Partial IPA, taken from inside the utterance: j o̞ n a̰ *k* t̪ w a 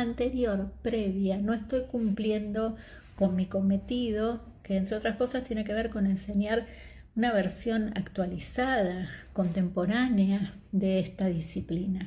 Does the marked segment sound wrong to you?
no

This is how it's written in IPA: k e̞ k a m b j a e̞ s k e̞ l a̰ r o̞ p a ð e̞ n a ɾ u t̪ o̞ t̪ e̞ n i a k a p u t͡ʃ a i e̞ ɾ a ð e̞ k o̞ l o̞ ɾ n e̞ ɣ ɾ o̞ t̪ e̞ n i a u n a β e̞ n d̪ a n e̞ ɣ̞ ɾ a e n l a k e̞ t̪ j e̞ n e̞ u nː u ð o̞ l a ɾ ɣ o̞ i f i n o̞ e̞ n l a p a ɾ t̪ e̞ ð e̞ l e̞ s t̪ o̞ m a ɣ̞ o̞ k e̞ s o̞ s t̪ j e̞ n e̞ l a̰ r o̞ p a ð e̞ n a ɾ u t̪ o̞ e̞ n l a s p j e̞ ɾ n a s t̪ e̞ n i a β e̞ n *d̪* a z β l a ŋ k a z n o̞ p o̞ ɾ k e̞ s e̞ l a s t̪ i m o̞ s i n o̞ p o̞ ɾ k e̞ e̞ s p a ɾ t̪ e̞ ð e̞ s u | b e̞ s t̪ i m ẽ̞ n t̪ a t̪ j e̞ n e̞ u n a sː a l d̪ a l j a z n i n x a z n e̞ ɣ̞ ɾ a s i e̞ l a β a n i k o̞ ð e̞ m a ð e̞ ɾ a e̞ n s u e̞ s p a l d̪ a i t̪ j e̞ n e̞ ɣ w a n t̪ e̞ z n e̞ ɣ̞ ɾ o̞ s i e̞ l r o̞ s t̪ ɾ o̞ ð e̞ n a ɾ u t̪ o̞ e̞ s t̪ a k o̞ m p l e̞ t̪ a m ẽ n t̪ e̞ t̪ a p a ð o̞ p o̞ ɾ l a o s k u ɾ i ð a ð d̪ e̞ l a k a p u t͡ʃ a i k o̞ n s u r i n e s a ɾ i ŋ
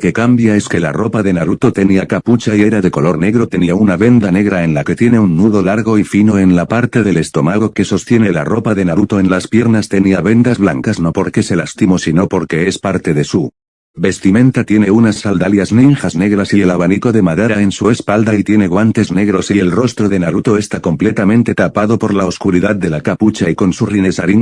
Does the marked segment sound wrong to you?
no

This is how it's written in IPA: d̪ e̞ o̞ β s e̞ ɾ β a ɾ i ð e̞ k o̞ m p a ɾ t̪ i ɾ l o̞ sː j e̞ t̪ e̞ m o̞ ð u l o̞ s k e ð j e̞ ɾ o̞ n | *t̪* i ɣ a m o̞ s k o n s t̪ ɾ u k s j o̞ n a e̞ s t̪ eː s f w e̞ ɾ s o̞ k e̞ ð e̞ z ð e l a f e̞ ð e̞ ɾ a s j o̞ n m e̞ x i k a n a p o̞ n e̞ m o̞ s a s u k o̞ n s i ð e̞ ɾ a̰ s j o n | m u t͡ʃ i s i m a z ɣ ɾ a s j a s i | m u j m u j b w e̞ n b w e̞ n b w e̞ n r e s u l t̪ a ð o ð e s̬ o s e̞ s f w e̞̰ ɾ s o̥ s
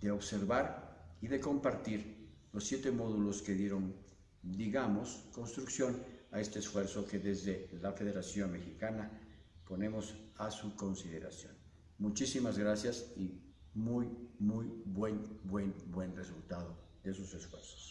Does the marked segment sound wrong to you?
yes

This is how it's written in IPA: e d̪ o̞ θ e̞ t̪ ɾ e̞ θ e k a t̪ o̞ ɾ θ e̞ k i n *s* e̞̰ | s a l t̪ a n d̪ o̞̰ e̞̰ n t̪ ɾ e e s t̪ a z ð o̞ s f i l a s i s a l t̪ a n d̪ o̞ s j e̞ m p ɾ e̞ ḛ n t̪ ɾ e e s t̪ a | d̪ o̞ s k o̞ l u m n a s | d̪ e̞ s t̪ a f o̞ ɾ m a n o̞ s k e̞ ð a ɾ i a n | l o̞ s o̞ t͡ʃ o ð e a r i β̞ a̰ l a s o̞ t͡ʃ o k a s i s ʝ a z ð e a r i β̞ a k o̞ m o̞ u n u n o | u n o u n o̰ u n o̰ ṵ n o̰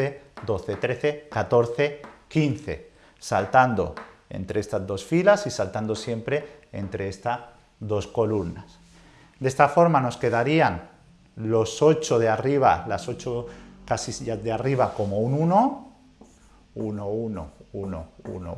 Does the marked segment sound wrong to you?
yes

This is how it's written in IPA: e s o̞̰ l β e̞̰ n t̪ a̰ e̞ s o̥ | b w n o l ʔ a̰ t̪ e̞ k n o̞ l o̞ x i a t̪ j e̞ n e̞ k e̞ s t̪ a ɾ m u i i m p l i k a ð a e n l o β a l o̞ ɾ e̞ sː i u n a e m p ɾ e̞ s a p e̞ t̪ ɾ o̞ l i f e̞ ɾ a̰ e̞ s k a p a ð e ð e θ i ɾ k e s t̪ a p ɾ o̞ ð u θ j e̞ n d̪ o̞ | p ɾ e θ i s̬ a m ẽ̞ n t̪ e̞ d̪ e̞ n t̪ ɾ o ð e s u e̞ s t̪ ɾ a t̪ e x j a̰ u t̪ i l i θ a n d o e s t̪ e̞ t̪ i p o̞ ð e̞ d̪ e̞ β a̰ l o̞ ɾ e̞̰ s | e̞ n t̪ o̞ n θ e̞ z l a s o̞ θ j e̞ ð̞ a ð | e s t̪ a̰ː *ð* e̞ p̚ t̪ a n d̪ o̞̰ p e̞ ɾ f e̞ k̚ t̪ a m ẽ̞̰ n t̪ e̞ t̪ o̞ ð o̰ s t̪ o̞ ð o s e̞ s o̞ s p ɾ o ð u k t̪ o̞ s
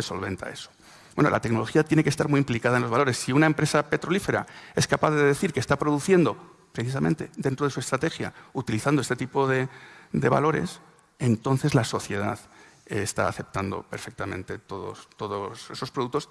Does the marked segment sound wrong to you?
yes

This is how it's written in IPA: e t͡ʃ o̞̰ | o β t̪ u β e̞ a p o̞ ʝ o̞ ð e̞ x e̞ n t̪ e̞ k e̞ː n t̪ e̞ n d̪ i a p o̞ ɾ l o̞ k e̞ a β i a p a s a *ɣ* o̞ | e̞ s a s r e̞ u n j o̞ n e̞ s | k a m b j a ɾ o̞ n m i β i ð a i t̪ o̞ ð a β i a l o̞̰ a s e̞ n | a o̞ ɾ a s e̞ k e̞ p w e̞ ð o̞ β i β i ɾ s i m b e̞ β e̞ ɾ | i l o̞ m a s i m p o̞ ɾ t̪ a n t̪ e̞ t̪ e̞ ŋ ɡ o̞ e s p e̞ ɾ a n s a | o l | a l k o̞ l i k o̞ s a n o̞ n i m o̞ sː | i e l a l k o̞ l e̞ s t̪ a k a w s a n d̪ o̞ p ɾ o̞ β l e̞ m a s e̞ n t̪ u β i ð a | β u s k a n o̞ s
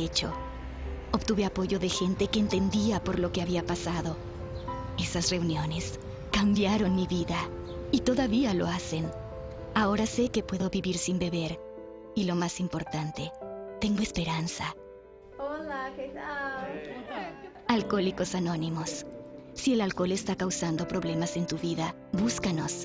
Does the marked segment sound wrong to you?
yes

